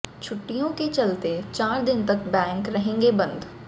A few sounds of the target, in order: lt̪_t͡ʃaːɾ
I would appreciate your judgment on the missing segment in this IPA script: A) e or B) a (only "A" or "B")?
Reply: A